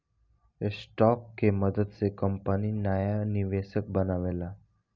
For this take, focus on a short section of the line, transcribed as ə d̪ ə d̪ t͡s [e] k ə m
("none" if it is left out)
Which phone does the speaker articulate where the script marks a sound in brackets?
e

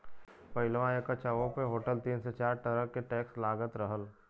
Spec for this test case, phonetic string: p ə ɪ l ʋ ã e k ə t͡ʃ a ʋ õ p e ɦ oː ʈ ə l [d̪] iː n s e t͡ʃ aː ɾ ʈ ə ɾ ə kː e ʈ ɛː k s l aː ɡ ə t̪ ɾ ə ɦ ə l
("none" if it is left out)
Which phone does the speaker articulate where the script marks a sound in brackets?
t̪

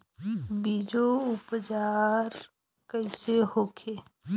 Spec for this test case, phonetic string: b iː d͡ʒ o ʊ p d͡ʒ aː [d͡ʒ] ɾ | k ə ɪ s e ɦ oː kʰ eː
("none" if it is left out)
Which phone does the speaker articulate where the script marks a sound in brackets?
none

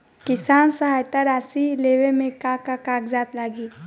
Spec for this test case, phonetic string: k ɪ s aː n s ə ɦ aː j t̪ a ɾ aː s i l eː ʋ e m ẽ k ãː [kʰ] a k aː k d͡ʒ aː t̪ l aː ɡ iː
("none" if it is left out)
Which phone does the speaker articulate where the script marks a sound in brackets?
k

